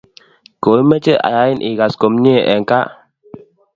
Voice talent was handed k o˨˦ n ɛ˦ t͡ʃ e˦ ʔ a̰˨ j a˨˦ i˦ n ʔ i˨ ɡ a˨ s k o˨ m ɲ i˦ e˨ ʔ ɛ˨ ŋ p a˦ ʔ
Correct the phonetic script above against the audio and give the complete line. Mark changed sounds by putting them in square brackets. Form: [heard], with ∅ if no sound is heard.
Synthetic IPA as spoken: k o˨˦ [m] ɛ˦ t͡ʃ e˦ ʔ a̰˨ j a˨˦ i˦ n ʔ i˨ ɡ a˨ s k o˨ m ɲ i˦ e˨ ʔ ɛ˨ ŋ [k] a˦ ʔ